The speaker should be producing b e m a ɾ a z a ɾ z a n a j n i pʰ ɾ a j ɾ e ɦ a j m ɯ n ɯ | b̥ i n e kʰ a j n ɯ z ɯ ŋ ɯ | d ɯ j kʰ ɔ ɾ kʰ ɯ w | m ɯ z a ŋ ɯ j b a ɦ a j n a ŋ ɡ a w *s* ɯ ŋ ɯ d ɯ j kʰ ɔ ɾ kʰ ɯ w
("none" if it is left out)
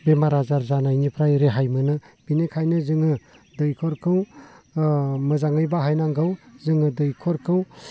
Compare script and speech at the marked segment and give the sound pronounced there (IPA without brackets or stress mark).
z